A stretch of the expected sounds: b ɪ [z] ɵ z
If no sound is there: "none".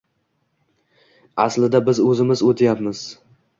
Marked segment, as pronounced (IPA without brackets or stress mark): z